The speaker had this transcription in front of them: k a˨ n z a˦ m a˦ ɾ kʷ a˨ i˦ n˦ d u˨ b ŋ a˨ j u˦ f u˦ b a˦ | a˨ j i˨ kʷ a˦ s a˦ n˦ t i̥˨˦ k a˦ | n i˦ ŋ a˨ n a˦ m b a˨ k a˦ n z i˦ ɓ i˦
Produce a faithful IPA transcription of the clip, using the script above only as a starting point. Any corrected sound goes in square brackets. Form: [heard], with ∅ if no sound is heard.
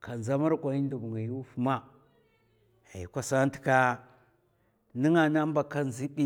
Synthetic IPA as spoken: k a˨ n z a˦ m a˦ ɾ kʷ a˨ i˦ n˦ d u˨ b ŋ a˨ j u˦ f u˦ [m] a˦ | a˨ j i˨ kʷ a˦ s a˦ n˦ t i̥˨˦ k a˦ | n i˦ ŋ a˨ n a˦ m b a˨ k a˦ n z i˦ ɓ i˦